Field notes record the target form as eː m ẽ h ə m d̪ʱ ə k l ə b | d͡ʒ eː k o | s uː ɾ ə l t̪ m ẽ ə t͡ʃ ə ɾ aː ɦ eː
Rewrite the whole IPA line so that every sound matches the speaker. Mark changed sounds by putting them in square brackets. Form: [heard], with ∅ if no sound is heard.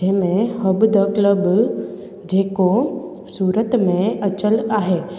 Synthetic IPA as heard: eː m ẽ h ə [b] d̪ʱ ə k l ə b | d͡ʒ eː k o | s uː ɾ ə [∅] t̪ m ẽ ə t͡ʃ ə [l] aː ɦ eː